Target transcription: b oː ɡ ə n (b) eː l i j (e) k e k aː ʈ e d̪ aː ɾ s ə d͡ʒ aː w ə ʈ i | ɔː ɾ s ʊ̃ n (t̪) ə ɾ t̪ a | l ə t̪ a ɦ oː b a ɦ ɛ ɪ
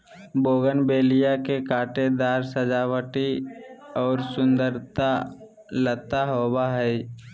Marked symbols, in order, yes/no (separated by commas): yes, no, no